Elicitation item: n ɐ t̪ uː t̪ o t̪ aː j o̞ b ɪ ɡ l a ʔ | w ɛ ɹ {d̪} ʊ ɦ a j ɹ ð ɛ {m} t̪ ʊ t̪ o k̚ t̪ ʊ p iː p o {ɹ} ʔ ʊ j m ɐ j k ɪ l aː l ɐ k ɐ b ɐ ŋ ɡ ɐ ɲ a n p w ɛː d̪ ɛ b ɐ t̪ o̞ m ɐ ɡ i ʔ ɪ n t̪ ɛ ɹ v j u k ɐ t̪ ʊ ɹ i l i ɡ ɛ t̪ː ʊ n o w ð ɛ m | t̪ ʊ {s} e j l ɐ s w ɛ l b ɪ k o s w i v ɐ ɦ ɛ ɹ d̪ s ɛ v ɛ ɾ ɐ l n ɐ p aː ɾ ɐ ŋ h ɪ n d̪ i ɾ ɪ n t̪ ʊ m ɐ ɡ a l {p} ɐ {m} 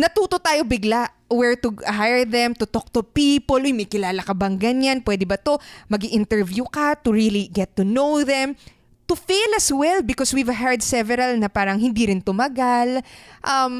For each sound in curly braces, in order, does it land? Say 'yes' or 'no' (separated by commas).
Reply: no, yes, no, no, no, yes